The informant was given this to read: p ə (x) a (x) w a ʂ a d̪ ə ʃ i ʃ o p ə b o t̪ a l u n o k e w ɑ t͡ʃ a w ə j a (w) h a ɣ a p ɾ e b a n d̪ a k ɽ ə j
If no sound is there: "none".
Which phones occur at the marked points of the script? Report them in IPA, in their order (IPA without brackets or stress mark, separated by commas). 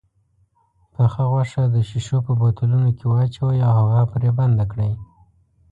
x, ɣ, w